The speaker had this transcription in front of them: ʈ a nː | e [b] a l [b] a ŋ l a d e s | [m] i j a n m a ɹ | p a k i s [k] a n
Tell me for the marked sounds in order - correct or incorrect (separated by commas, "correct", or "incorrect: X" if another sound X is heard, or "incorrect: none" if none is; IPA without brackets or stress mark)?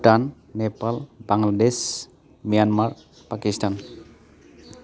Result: incorrect: p, correct, correct, incorrect: t